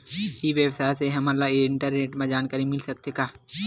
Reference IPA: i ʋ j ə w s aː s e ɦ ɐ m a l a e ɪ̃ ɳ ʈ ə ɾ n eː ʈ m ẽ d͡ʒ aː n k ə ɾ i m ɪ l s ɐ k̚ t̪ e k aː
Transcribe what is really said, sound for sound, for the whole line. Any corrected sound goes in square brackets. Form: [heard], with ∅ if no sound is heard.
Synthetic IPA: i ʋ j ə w s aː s e ɦ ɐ m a l a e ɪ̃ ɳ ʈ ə ɾ n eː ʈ m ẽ d͡ʒ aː n k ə ɾ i m ɪ l s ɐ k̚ t̪ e k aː